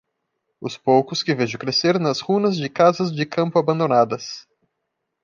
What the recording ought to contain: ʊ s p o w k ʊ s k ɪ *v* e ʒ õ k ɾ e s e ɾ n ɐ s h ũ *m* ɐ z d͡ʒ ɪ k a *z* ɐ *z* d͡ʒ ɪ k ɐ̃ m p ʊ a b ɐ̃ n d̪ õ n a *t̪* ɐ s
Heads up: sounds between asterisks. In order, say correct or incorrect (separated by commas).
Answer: correct, incorrect, correct, correct, incorrect